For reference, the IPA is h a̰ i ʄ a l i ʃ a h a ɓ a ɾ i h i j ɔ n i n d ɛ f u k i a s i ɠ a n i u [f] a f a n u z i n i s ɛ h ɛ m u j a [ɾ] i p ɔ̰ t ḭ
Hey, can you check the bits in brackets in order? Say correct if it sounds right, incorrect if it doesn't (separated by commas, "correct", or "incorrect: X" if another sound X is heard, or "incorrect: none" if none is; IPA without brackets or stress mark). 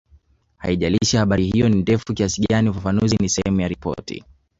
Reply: correct, correct